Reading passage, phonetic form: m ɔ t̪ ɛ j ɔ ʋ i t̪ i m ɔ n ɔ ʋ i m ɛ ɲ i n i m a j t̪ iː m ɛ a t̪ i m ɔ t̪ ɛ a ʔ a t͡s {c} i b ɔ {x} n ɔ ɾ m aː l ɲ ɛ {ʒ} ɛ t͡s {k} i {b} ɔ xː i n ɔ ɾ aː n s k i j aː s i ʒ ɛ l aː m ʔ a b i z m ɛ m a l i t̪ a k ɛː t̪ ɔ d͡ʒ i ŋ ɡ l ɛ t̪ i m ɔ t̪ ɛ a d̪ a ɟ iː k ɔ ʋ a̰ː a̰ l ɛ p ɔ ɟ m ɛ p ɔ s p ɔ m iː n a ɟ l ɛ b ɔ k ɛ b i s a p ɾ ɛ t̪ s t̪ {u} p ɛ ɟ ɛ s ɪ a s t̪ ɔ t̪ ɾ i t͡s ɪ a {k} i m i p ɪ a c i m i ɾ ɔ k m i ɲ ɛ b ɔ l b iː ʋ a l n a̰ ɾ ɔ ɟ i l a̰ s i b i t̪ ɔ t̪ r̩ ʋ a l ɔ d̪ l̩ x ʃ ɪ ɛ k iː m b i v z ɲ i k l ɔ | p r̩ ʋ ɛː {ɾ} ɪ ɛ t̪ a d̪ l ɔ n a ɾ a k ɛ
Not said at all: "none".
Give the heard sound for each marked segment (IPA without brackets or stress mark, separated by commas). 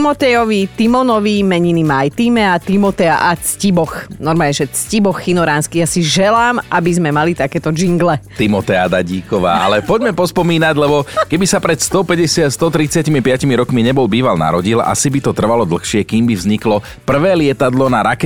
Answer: c, x, ʒ, c, b, ɔ, c, l